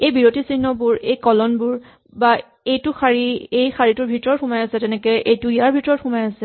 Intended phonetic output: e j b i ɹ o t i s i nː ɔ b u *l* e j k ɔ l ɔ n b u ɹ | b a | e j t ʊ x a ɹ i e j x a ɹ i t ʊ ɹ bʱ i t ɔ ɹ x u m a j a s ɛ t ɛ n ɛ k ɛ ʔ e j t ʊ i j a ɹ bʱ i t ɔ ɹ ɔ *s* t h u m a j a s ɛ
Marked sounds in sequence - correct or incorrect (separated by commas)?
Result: incorrect, incorrect